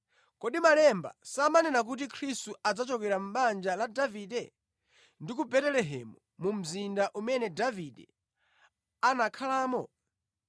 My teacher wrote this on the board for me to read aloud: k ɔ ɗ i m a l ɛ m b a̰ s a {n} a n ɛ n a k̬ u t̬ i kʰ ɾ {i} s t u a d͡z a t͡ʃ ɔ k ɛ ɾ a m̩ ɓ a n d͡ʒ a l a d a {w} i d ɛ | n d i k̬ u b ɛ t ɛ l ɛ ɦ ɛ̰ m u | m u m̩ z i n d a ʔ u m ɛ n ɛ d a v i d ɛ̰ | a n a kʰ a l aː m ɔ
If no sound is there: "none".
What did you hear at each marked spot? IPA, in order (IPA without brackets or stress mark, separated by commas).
m, i, v